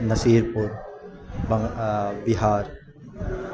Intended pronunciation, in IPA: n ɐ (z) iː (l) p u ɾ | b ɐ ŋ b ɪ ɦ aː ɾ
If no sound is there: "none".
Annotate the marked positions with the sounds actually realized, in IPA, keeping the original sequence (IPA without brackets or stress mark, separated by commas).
s, ɾ